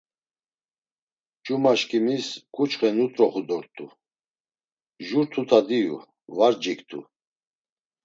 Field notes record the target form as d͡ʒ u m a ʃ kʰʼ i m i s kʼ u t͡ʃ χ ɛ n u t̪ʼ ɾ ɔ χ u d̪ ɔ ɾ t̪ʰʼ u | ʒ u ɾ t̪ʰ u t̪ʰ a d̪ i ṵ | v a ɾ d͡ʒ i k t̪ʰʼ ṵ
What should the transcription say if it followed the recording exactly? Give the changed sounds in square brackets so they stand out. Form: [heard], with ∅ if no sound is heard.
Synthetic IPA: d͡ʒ u m a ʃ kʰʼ i m i s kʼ u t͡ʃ χ ɛ n u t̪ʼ ɾ ɔ χ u d̪ ɔ ɾ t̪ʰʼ u | ʒ u ɾ t̪ʰ u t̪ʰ a d̪ i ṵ | v a ɾ d͡ʒ i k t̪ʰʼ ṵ